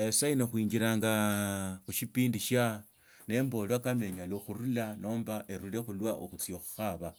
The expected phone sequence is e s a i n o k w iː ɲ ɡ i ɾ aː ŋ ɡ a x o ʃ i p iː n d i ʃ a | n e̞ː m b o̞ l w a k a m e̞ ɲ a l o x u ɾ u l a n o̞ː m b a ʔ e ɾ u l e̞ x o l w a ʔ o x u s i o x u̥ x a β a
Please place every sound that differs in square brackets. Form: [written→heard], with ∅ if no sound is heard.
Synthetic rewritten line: e s a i n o [k→x] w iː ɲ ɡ i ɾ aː ŋ ɡ a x [o→u] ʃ i p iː n d i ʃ a | n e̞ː m b o̞ l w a k a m e̞ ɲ a l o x u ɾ u l a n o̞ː m b a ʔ e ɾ u l e̞ x [o→u] l w a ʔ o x u [s→t͡s] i o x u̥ x a β a

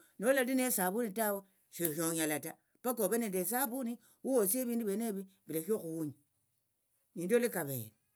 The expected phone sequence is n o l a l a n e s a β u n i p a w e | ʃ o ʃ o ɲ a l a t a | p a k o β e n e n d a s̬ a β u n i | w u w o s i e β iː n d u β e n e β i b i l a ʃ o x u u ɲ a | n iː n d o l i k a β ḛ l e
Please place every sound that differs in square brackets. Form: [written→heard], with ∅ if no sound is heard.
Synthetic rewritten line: n o l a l [a→i] n e s a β u n i [p→t] a w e | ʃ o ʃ o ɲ a l a t a | p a k o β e n e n d [a→e] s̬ a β u n i | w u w o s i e β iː n d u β e n e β i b i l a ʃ o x u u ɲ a | n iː n d o l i k a β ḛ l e

